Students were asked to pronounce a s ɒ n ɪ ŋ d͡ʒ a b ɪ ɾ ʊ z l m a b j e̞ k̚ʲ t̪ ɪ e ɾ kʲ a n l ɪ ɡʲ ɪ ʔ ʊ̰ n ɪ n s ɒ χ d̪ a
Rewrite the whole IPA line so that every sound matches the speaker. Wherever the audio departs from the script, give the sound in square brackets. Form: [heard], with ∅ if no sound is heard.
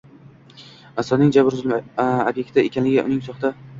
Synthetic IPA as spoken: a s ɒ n ɪ ŋ d͡ʒ a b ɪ ɾ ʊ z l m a b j e̞ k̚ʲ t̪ ɪ e [∅] kʲ a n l ɪ ɡʲ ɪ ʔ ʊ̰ n ɪ [ŋ] s ɒ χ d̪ a